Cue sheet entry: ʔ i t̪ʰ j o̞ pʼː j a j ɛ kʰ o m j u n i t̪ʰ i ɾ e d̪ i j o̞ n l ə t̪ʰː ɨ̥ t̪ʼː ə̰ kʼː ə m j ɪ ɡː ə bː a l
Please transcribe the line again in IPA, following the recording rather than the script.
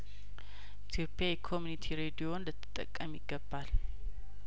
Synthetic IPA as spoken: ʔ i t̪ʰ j o̞ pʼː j a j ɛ kʰ o m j u n i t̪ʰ i ɾ e d̪ i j o̞ n l ə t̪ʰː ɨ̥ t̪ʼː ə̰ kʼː ə m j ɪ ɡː ə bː a l

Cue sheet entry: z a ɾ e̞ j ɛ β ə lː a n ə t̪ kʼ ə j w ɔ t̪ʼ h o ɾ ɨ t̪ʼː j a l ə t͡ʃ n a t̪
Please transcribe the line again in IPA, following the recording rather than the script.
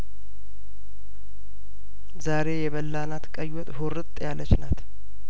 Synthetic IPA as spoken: z a ɾ e̞ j ɛ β ə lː a n a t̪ kʼ ə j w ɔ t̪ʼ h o ɾ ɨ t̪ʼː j a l ə t͡ʃ n a t̪

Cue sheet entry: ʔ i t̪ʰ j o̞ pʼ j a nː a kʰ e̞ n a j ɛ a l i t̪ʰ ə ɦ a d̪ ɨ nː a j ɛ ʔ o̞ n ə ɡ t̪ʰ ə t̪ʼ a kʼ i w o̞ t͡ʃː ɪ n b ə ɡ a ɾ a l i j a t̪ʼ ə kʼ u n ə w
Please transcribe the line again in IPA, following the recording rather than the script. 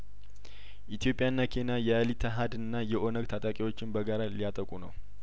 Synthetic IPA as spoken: ʔ i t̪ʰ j o̞ pʼ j a nː a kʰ e̞ n a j ɛ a l i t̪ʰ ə ɦ a d̪ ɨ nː a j ɛ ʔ o̞ n ə ɡ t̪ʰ a t̪ʼ a kʼ i w o̞ t͡ʃː ɪ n b ə ɡ a ɾ a l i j a t̪ʼ ə kʼ u n ə w

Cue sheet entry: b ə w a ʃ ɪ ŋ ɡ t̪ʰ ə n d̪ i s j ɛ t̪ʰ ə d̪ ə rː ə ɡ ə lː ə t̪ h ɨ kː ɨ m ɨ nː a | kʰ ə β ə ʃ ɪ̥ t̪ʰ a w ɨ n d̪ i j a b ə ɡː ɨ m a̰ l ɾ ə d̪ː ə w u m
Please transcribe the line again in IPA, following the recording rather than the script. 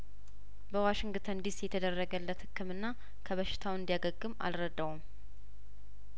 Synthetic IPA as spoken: b ə w a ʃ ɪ ŋ ɡ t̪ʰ ə n d̪ i s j ɛ t̪ʰ ə d̪ ə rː ə ɡ ə lː ə t̪ h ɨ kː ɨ m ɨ nː a | kʰ ə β ə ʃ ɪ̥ t̪ʰ a w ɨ n d̪ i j a ɡ ə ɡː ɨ m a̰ l ɾ ə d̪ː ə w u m

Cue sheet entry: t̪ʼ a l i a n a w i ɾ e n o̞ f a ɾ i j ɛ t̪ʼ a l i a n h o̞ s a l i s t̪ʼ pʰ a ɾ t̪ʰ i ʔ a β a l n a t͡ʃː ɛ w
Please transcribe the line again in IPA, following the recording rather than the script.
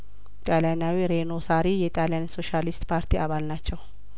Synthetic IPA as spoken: t̪ʼ a l j a n a w i ɾ e n o̞ s a ɾ i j ɛ t̪ʼ a l j a n s o̞ ʃ a l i s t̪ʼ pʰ a ɾ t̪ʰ i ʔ a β a l n a t͡ʃː ɛ w

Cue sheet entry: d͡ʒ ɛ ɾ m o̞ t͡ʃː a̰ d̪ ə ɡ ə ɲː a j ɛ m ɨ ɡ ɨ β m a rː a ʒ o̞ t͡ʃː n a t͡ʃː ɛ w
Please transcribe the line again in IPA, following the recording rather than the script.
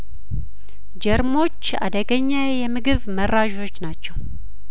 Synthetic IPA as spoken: d͡ʒ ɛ ɾ m o̞ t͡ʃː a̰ d̪ ə ɡ ə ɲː a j ɛ m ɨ ɡ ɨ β m ə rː a ʒ o̞ t͡ʃː n a t͡ʃː ɛ w

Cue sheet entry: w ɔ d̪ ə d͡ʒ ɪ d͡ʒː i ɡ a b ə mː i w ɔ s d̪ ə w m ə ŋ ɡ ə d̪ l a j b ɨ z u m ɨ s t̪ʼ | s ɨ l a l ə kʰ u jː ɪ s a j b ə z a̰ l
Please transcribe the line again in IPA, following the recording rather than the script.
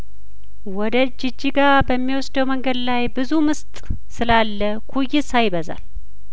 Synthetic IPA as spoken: w ɔ d̪ ə d͡ʒ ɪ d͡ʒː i ɡ a b ə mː i w ɔ s d̪ ə w m ə ŋ ɡ ə d̪ l a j b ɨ z u m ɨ s t̪ʼ | s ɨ l a lː ə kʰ u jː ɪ s a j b ə z a̰ l

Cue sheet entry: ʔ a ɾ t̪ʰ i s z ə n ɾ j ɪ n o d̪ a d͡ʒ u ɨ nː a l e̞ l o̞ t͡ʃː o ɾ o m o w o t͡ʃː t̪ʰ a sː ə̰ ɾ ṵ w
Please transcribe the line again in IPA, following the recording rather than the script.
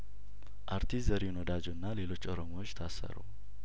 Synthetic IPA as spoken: ʔ a ɾ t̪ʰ i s z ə ɾ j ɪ n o d̪ a d͡ʒ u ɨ nː a l e̞ l o̞ t͡ʃː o ɾ o m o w o t͡ʃː t̪ʰ a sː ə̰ ɾ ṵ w

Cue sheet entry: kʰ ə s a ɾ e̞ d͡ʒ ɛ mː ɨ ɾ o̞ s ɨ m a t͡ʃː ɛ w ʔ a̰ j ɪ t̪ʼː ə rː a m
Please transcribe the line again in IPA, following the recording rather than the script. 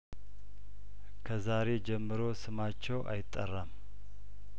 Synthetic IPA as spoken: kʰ ə z a ɾ e̞ d͡ʒ ɛ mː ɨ ɾ o̞ s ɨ m a t͡ʃː ɛ w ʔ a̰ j ɪ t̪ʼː ə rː a m

